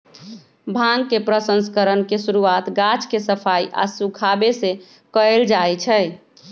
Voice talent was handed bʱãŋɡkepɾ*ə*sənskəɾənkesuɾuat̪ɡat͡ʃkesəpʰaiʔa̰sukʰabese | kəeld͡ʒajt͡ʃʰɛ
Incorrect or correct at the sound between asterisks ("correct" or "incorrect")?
correct